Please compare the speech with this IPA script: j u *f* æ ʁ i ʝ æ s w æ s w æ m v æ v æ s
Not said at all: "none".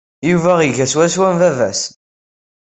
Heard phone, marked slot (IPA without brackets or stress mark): v